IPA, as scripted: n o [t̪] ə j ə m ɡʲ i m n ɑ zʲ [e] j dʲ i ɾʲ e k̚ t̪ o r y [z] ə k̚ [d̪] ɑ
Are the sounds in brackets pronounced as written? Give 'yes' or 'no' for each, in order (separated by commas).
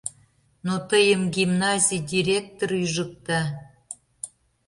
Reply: yes, no, no, no